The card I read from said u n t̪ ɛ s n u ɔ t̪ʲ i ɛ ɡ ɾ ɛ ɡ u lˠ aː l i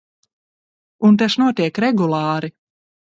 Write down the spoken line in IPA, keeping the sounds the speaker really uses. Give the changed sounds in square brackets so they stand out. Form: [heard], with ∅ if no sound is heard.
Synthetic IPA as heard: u n t̪ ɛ [ʃ] n u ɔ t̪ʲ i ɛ [k] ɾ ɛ ɡ u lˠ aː [ɾ] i